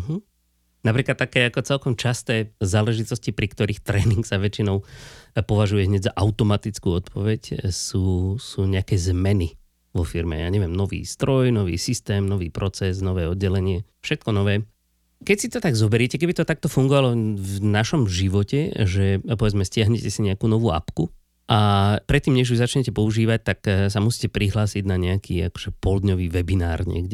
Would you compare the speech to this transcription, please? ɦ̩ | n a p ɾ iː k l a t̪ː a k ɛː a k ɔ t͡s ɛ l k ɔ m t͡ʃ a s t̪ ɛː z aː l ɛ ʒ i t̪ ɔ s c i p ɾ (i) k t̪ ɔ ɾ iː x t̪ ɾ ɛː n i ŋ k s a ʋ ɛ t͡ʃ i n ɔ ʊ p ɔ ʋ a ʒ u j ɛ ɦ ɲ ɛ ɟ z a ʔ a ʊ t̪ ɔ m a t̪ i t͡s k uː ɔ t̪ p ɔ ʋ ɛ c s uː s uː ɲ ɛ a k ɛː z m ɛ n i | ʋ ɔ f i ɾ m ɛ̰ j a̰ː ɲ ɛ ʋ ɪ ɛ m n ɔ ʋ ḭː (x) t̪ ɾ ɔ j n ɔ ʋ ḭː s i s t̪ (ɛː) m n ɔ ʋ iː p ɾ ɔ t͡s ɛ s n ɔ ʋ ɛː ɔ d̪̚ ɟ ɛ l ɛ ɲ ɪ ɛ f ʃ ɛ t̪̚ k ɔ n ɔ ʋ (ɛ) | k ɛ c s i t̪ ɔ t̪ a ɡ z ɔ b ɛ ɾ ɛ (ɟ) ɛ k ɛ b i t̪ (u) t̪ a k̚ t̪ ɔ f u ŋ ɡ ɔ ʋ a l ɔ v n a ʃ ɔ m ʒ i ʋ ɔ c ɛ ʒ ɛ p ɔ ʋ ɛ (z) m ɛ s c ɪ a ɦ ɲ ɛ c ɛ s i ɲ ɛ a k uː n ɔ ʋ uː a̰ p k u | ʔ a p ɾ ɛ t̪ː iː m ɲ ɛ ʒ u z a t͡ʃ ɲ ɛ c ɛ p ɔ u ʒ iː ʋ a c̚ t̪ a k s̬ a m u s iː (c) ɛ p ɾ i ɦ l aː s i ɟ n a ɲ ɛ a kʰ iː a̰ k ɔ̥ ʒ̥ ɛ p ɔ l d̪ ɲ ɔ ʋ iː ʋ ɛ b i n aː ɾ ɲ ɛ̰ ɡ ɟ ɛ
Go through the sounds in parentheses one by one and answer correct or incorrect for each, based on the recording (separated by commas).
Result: correct, incorrect, correct, incorrect, incorrect, incorrect, incorrect, correct